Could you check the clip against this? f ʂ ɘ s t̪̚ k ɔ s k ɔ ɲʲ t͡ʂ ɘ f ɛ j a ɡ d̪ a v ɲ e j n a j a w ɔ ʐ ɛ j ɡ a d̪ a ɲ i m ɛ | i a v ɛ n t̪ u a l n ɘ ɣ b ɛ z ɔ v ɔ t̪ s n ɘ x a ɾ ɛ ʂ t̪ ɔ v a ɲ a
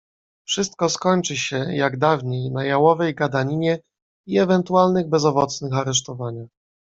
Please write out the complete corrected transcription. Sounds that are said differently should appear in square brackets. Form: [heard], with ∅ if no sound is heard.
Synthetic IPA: f ʂ ɘ s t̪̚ k ɔ s k ɔ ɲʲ t͡ʂ ɘ [ɕ] ɛ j a ɡ d̪ a v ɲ e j n a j a w ɔ [v] ɛ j ɡ a d̪ a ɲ i [ɲ] ɛ | i [ɛ] v ɛ n t̪ u a l n ɘ ɣ b ɛ z ɔ v ɔ t̪ s n ɘ x a ɾ ɛ ʂ t̪ ɔ v a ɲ a